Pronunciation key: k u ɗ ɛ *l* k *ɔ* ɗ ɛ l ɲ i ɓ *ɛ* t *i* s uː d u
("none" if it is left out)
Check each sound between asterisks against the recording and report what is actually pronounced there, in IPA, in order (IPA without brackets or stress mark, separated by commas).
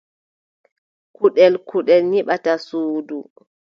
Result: l, u, a, a